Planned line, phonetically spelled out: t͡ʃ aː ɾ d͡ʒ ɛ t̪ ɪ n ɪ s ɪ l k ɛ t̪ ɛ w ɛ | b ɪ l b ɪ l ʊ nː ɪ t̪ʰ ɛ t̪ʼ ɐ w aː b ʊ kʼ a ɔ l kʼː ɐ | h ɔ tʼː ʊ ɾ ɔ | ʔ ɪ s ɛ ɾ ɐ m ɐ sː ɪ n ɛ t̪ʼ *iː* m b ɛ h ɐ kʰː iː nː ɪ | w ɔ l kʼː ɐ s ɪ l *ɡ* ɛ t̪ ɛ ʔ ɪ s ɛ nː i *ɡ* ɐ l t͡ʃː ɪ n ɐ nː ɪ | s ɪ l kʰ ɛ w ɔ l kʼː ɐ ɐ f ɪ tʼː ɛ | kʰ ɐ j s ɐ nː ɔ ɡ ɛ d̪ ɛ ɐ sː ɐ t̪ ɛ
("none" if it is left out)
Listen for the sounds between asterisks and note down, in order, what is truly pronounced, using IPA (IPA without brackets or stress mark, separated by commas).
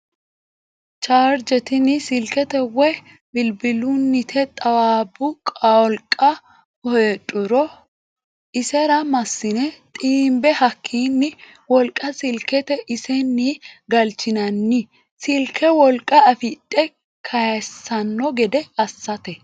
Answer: iː, k, ɡ